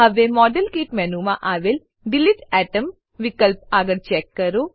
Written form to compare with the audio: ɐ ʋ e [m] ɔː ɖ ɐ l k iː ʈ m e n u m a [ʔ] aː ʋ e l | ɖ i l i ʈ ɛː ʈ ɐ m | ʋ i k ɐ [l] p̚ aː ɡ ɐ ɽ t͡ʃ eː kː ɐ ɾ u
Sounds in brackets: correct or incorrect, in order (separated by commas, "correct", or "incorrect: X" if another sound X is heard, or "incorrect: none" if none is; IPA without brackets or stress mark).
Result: correct, correct, correct